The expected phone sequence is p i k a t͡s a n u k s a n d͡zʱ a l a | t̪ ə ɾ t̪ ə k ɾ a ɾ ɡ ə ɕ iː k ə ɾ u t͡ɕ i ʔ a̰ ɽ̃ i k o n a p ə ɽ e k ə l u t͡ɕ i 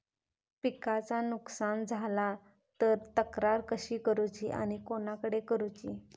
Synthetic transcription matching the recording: p i k a t͡s a n u k s a n d͡zʱ a l a | t̪ ə ɾ t̪ ə k ɾ a ɾ k ə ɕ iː k ə ɾ u t͡ɕ i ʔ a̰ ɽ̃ i k o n a k ə ɽ e k ə ɾ u t͡ɕ i